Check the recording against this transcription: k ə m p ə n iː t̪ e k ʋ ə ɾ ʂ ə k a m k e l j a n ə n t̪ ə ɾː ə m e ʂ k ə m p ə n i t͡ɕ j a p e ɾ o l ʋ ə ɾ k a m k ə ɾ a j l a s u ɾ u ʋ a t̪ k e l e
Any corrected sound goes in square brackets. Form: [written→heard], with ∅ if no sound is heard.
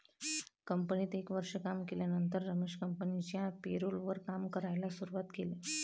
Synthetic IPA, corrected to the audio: k ə m p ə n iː t̪ e k ʋ ə ɾ ʂ ə k a m k e l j a n ə n t̪ ə ɾː ə m e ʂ k ə m p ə n i t͡ɕ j a p e ɾ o l ʋ ə ɾ k a m k ə ɾ a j l a s u ɾ u ʋ a t̪ k e l e